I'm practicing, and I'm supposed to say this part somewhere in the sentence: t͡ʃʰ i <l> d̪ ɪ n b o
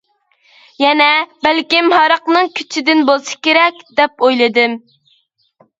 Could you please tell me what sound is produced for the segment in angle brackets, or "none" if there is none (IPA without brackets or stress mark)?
none